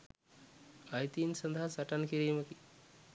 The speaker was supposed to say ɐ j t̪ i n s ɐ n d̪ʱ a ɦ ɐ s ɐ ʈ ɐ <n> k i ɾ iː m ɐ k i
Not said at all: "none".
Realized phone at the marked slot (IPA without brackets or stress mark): n